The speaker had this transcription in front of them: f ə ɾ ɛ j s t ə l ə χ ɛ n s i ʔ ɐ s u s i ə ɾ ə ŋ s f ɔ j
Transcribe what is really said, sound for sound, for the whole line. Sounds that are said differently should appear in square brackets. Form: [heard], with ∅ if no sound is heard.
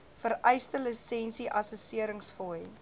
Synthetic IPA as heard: f ə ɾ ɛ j s t ə l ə [s] ɛ n s i ʔ ɐ s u s i ə ɾ ə ŋ s f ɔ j